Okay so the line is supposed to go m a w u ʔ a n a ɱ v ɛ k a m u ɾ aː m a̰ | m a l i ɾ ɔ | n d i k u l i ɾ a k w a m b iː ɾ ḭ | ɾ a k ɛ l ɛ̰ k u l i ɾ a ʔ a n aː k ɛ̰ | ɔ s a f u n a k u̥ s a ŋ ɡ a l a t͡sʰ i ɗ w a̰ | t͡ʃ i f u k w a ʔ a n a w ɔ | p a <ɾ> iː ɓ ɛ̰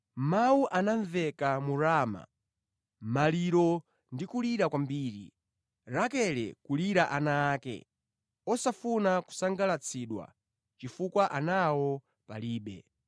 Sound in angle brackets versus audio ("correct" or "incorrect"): incorrect